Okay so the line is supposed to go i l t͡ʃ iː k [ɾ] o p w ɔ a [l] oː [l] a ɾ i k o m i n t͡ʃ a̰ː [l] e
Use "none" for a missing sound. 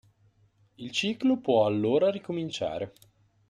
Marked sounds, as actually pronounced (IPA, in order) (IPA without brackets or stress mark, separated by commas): l, lː, ɾ, ɾ